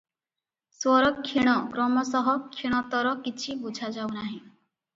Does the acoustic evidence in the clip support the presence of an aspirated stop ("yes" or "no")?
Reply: yes